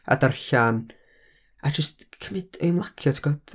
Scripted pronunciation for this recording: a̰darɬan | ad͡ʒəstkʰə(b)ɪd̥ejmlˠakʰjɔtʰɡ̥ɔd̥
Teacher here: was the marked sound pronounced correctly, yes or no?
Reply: no